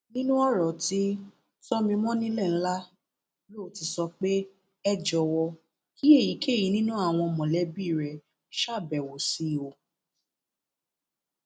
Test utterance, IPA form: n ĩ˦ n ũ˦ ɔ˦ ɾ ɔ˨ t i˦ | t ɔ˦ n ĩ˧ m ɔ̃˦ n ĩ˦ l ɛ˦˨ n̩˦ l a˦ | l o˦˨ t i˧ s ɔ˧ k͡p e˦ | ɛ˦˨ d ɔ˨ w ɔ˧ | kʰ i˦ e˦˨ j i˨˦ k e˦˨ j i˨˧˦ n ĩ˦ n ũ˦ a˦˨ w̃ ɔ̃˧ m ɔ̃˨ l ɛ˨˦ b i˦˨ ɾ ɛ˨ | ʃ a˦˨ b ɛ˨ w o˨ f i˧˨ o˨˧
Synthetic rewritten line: n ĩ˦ n ũ˦ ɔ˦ ɾ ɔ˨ t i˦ | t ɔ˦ m ĩ˧ m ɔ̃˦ n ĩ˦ l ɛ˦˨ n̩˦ l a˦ | l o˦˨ t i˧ s ɔ˧ k͡p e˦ | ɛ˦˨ d͡ʒ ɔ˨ w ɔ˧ | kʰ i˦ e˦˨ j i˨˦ k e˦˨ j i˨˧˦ n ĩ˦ n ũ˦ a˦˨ w̃ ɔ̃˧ m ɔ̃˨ l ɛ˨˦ b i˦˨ ɾ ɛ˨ | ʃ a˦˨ b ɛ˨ w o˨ s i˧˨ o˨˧